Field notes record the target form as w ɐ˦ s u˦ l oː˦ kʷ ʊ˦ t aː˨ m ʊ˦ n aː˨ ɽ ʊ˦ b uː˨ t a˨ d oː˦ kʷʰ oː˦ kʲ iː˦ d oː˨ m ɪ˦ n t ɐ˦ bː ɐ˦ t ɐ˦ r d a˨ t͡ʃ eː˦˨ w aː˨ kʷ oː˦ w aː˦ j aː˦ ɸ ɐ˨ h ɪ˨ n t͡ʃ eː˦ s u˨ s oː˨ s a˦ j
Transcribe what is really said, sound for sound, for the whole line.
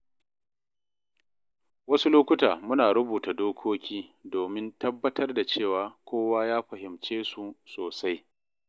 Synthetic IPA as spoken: w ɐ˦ s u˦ l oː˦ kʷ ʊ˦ t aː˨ m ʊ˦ n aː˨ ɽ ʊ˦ b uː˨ t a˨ d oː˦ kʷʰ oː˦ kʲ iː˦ d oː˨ m ɪ˦ n t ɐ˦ bː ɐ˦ t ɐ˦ r d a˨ t͡ʃ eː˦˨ w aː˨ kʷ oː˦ w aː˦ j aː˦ ɸ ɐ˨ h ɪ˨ m t͡ʃ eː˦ s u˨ s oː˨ s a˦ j